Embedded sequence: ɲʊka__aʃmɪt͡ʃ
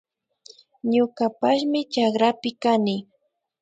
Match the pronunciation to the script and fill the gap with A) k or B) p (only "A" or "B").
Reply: B